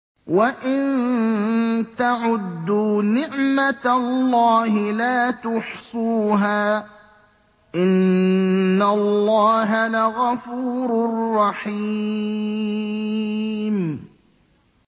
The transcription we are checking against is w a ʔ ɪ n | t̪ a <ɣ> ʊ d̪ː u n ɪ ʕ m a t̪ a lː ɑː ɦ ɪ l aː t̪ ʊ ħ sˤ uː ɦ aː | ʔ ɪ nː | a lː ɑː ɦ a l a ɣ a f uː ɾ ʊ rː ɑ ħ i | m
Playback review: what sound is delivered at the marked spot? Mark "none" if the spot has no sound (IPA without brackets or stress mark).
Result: ʕ